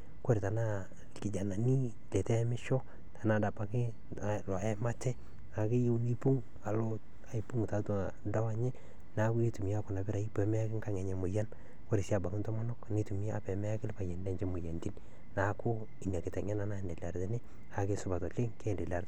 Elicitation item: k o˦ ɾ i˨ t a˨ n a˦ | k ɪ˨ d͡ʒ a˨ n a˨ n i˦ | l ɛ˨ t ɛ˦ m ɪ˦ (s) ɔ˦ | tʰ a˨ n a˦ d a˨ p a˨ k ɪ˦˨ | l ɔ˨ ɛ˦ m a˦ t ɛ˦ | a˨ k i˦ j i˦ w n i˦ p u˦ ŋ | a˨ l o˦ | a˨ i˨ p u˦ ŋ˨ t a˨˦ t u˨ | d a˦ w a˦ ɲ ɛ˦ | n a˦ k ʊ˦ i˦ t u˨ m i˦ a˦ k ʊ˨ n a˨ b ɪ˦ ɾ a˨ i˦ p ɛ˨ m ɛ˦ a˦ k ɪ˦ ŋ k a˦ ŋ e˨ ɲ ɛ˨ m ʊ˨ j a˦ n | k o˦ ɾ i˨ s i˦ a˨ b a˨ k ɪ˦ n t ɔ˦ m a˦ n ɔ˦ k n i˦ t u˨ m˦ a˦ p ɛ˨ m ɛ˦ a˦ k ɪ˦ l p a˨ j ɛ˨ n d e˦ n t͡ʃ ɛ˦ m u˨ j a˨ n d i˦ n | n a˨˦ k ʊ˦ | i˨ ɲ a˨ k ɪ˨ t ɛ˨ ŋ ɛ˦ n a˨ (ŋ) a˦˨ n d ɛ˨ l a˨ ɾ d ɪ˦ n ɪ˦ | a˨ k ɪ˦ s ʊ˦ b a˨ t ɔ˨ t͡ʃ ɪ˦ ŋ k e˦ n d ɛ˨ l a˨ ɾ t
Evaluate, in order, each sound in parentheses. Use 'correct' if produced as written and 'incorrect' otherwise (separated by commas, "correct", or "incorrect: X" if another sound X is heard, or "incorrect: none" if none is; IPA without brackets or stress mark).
incorrect: ʃ, incorrect: n